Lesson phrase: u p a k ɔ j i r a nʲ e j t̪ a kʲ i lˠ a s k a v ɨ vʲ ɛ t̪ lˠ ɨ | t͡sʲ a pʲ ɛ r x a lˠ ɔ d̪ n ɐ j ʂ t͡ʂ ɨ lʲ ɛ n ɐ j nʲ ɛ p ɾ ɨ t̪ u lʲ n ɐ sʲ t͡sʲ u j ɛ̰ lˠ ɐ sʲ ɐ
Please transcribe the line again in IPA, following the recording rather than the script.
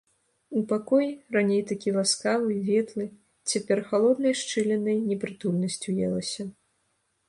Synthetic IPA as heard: u p a k ɔ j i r a nʲ e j t̪ a kʲ i lˠ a s k a v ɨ vʲ ɛ t̪ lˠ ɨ | t͡sʲ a pʲ ɛ r x a lˠ ɔ d̪ n ɐ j ʂ t͡ʂ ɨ lʲ ɛ n ɐ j nʲ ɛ p ɾ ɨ t̪ u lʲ n ɐ sʲ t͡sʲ u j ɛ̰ lˠ ɐ sʲ ɐ